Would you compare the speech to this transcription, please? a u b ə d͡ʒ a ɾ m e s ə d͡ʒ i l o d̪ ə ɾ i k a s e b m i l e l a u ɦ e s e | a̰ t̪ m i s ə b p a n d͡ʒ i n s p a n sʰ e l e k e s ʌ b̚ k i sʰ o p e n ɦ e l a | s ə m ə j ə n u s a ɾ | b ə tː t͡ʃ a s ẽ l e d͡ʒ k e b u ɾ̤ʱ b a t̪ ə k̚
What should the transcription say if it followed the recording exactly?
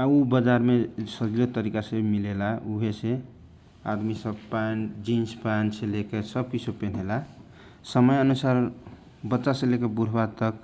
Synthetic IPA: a u b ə d͡ʒ a ɾ m e s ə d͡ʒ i l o t̪ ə ɾ i k a s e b m i l e l a u ɦ e s e | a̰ d̪ m i s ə b p a n d͡ʒ i n s p a n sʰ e l e k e s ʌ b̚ k i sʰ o p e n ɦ e l a | s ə m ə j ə n u s a ɾ | b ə tː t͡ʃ a s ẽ l e k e b u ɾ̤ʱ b a t̪ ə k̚